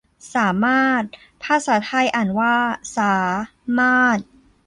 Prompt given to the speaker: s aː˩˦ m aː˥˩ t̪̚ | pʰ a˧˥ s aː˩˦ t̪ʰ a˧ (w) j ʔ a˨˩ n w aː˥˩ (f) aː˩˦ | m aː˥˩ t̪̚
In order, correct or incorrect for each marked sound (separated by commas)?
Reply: incorrect, incorrect